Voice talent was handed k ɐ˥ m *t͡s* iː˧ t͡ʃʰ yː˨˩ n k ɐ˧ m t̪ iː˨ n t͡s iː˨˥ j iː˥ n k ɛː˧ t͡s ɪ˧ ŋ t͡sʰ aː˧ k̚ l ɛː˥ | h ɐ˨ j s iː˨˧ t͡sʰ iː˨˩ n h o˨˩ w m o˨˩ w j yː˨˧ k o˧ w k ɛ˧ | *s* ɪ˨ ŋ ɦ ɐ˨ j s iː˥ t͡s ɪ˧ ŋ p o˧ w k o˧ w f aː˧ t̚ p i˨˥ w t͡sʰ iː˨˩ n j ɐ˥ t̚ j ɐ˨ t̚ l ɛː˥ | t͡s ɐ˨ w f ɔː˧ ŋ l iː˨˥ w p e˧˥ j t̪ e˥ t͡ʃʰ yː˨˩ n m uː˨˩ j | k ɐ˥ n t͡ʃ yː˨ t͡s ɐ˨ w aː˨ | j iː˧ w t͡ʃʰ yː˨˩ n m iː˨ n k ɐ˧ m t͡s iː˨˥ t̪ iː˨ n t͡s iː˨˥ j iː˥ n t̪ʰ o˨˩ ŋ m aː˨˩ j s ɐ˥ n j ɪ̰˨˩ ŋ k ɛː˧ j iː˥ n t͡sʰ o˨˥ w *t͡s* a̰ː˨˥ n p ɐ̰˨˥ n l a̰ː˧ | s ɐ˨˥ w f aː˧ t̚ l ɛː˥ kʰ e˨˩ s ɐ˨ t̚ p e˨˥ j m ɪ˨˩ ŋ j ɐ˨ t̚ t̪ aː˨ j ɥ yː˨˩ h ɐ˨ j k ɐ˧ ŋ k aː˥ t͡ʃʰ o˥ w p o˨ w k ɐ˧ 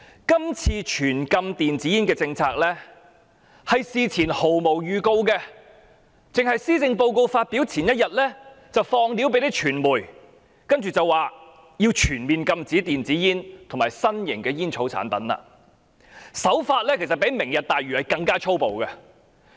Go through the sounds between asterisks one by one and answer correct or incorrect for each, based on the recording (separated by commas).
incorrect, incorrect, incorrect